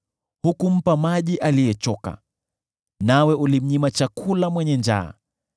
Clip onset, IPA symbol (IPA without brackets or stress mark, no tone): h